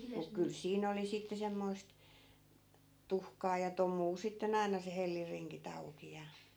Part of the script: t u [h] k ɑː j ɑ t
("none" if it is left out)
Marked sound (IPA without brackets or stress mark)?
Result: h